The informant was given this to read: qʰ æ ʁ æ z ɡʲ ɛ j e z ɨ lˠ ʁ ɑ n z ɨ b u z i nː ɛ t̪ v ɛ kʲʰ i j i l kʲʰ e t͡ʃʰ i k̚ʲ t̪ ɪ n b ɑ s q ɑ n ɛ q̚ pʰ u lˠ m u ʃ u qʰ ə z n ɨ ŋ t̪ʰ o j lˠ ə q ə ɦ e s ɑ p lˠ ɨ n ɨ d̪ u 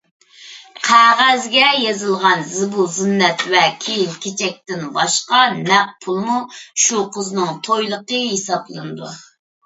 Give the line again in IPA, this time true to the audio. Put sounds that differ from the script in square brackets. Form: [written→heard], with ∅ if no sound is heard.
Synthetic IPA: qʰ æ ʁ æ z ɡʲ ɛ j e z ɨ lˠ ʁ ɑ n z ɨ b u z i nː ɛ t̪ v ɛ kʲʰ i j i l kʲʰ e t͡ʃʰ [i→ɛ] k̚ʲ t̪ ɪ n b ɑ [s→ʃ] q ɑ n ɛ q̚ pʰ u lˠ m u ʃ u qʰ ə z n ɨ ŋ t̪ʰ o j lˠ ə q ə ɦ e s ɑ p lˠ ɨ n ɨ d̪ u

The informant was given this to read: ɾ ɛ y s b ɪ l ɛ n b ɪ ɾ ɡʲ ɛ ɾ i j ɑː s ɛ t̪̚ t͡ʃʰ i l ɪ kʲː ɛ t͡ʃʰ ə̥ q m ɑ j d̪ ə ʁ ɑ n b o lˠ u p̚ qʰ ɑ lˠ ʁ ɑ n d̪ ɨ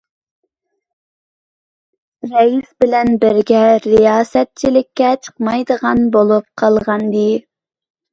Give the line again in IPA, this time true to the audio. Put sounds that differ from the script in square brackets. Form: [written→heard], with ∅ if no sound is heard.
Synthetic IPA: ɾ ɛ [y→i] s b ɪ l ɛ n b ɪ ɾ ɡʲ ɛ ɾ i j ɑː s ɛ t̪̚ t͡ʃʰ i l ɪ kʲː ɛ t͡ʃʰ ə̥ q m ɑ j d̪ ə ʁ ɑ n b o lˠ u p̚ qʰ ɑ lˠ ʁ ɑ n d̪ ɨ

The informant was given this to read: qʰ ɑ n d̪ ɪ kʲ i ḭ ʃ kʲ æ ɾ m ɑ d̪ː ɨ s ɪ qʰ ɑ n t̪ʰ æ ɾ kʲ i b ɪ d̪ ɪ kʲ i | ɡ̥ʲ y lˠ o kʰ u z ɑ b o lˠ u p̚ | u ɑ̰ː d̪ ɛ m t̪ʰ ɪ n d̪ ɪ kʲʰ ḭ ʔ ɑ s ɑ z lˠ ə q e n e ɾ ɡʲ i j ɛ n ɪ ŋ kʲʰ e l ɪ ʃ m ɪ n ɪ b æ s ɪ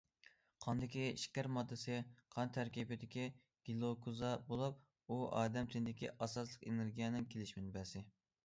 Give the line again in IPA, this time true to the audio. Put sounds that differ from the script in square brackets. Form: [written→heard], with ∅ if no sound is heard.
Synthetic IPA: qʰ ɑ n d̪ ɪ kʲ i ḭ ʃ kʲ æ ɾ m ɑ d̪ː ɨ s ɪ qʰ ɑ n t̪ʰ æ ɾ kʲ i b ɪ d̪ ɪ kʲ i | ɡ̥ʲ [y→i] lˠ o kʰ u z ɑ b o lˠ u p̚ | u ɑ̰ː d̪ ɛ m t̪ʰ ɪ n d̪ ɪ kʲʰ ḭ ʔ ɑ s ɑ [z→s] lˠ ə q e n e ɾ ɡʲ i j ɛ n ɪ ŋ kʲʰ e l ɪ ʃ m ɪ n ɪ b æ s ɪ

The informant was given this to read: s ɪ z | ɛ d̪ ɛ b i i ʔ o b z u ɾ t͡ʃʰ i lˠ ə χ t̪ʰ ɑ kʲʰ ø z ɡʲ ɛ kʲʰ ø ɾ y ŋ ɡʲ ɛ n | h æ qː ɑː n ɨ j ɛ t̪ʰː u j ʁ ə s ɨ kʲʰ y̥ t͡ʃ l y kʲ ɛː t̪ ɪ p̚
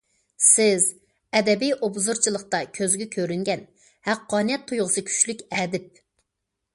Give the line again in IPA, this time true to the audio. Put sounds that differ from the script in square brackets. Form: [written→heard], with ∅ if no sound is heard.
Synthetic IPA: s ɪ z | ɛ d̪ ɛ b i [i→j] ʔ o b z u ɾ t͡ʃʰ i lˠ ə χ [t̪ʰ→t̪] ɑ kʲʰ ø z ɡʲ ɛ kʲʰ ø ɾ y ŋ ɡʲ ɛ n | h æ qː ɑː n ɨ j ɛ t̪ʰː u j ʁ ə s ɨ kʲʰ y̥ t͡ʃ l y kʲ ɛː [t̪→d̪] ɪ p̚

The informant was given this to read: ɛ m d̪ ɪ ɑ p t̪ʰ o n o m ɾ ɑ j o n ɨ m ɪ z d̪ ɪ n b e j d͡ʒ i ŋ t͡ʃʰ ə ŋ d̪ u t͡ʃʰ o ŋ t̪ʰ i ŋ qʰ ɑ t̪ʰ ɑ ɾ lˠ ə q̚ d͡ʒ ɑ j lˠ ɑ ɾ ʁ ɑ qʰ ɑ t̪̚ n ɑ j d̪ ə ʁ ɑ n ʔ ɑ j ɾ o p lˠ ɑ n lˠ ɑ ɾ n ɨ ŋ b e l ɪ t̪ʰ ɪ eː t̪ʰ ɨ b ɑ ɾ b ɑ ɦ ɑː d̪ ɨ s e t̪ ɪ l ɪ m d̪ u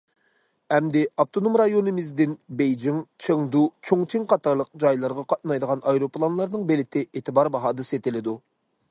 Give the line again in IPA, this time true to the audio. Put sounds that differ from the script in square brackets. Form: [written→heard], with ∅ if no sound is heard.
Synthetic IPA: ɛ m d̪ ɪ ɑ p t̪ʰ o n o m ɾ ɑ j o n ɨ m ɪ z d̪ ɪ n b e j d͡ʒ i ŋ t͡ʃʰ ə ŋ d̪ u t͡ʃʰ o ŋ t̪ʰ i ŋ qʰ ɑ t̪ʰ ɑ ɾ lˠ ə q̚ d͡ʒ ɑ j lˠ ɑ ɾ ʁ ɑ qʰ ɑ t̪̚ n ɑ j d̪ ə ʁ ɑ n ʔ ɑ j ɾ o p lˠ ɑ n lˠ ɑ ɾ n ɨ ŋ b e l ɪ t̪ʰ ɪ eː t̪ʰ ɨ b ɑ ɾ b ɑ ɦ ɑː d̪ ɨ s e t̪ ɪ l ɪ [m→∅] d̪ u

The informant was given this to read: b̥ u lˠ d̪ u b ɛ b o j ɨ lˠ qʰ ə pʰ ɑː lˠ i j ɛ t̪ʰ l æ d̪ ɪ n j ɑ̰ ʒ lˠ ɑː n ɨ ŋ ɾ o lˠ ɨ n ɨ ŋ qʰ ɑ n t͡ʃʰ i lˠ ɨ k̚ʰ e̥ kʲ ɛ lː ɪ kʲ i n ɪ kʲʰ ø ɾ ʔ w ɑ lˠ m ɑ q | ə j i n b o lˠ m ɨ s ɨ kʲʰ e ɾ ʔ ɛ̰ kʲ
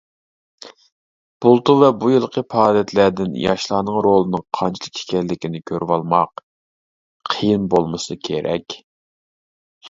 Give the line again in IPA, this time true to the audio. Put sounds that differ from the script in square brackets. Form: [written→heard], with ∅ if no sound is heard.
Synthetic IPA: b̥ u lˠ [d̪→t̪] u [b→v] ɛ b [o→u] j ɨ lˠ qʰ ə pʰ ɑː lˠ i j ɛ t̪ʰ l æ d̪ ɪ n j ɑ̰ [ʒ→ʃ] lˠ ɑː n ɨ ŋ ɾ o lˠ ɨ n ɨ ŋ qʰ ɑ n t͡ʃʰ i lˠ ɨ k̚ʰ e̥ kʲ ɛ lː ɪ kʲ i n ɪ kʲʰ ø ɾ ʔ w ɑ lˠ m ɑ q | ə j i n b o lˠ m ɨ s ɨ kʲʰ e ɾ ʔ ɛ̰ kʲ

